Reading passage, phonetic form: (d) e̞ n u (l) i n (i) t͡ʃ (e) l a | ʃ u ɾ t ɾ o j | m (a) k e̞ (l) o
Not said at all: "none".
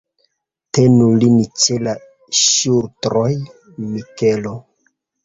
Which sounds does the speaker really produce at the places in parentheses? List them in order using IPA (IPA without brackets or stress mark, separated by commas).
t, l, i, e, i, l